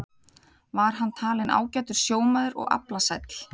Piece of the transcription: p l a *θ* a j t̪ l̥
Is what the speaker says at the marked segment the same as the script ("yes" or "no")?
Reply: no